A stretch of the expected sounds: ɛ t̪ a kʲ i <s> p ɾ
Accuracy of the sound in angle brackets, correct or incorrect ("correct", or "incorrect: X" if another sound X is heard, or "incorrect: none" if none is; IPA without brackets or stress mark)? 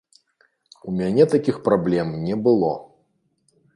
incorrect: x